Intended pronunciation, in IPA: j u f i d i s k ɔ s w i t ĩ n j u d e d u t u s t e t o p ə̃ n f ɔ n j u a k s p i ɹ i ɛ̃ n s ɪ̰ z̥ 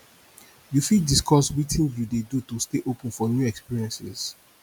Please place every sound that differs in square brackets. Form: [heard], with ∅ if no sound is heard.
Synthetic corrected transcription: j u f i d i s k ɔ s w i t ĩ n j u d e d u t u s t e [ʔ] o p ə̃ n f ɔ n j u [ɛ] k s p i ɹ i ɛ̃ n s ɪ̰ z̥